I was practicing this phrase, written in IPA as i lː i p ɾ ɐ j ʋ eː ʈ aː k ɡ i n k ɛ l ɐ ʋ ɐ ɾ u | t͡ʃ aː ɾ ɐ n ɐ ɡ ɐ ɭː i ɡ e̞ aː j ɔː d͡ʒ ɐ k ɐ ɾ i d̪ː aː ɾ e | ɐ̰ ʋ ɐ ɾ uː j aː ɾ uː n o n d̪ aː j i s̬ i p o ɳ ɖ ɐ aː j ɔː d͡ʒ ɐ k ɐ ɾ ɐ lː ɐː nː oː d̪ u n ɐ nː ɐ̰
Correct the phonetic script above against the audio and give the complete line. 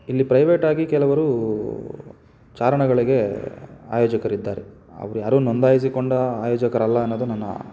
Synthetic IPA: i lː i p ɾ ɐ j ʋ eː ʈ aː ɡ i k ɛ l ɐ ʋ ɐ ɾ u | t͡ʃ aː ɾ ɐ ɳ ɐ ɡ ɐ ɭ i ɡ e̞ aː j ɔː d͡ʒ ɐ k ɐ ɾ i d̪ː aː ɾ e | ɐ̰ ʋ ɐ ɾ u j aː ɾ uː n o n d̪ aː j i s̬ i k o ɳ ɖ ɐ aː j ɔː d͡ʒ ɐ k ɐ ɾ ɐ lː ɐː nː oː d̪ u n ɐ nː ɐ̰